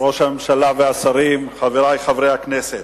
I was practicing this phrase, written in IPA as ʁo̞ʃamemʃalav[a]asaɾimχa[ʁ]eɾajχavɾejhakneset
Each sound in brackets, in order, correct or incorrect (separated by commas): incorrect, incorrect